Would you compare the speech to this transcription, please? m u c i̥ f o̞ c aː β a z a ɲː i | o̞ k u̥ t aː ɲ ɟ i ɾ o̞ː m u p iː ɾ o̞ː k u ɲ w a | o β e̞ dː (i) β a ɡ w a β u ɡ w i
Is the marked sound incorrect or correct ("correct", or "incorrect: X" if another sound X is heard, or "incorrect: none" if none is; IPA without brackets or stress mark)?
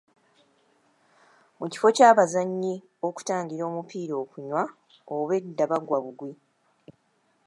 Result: incorrect: a